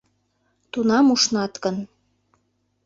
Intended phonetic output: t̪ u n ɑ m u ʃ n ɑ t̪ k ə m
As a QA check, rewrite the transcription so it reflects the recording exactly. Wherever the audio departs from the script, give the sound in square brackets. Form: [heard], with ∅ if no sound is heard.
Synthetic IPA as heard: t̪ u n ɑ m u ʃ n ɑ t̪ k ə [n]